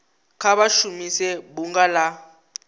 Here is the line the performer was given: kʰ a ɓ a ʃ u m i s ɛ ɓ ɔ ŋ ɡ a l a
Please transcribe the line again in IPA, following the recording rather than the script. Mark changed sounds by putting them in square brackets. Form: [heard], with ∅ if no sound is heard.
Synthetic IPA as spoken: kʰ a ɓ a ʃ u m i s ɛ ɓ [u] ŋ ɡ a l a